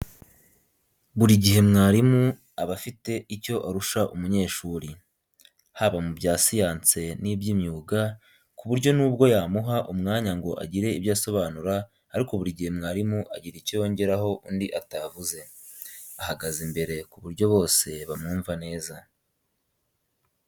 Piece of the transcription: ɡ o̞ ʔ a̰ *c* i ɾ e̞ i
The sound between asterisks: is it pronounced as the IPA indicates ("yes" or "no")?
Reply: no